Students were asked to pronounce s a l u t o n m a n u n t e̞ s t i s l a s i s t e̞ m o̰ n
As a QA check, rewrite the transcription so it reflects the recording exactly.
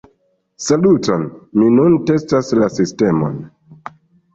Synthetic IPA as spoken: s a l u t o n m i n u n t e̞ s t a s l a s i s t e̞ m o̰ n